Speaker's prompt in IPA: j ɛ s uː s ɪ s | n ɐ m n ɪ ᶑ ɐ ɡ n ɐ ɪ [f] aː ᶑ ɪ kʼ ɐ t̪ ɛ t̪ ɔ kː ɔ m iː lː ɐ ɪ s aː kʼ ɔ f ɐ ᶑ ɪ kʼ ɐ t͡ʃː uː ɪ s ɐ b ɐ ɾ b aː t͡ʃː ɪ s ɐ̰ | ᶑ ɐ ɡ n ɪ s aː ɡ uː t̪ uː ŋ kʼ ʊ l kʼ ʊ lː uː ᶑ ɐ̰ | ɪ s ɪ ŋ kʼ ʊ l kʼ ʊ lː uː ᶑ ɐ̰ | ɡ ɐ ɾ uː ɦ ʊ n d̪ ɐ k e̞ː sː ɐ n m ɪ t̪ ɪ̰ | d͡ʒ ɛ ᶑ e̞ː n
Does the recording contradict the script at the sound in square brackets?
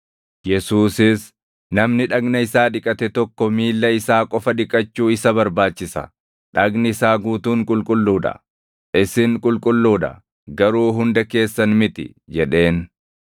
yes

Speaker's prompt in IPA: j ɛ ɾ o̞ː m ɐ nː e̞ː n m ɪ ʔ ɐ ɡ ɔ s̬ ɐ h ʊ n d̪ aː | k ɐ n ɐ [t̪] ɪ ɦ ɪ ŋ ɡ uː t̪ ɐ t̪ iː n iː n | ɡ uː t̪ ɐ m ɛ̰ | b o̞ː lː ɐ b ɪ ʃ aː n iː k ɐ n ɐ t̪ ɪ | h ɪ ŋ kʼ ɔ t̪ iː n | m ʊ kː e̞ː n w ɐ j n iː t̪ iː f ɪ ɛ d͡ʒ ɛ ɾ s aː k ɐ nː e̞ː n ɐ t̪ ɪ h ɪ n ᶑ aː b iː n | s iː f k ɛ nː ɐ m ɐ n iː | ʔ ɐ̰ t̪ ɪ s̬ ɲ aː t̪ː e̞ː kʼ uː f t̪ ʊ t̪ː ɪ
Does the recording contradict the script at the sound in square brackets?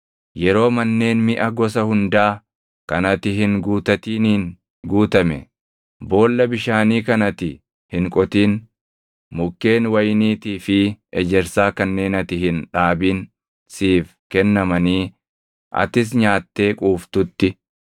no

